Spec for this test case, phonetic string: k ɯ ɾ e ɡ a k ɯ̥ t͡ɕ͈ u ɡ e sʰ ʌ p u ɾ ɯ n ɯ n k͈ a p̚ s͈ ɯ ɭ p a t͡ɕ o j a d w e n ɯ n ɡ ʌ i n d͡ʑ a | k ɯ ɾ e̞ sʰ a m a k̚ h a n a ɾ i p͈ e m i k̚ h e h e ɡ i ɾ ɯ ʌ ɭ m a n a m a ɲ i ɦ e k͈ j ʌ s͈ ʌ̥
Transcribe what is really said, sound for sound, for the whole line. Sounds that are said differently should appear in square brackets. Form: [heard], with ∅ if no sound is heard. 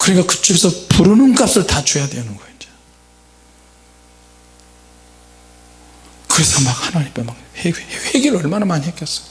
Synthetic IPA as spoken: k ɯ ɾ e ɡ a k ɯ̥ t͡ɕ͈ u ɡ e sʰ ʌ p u ɾ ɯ n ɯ n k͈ a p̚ s͈ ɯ ɭ [t] a t͡ɕ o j a d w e n ɯ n ɡ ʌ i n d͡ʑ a | k ɯ ɾ e̞ sʰ [ʌ] m a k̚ h a n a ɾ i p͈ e m [a] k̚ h e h e ɡ i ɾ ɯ ʌ ɭ m a n a m a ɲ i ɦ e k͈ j ʌ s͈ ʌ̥